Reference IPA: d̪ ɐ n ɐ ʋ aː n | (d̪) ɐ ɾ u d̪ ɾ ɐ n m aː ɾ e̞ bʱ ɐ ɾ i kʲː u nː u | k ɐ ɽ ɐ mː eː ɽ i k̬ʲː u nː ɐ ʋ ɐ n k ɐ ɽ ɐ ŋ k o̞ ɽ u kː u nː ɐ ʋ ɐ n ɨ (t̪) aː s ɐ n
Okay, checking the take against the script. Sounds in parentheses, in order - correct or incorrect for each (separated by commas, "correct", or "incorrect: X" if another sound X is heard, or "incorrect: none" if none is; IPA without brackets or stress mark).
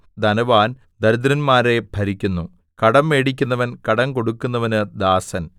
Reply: correct, incorrect: d̪